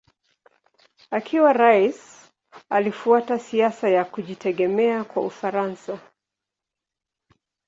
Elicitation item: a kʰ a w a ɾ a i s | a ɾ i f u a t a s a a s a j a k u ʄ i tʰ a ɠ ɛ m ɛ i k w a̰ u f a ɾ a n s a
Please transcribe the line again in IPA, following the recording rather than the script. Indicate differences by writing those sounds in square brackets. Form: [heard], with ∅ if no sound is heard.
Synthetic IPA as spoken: a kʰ [i] w a ɾ a i s | a [l] i f u a t a s [i] a s a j a k u ʄ i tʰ [ɛ] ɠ ɛ m ɛ [a] k w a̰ u f a ɾ a n s a